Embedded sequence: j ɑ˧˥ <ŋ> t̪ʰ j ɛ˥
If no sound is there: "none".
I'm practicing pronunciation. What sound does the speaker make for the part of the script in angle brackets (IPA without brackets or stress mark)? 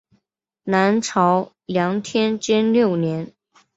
ŋ